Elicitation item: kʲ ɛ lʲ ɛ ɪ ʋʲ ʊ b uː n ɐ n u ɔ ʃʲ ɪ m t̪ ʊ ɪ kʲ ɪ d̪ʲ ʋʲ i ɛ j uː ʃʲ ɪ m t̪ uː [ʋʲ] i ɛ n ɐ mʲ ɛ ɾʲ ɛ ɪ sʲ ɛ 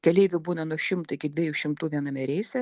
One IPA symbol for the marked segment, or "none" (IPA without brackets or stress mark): ʋʲ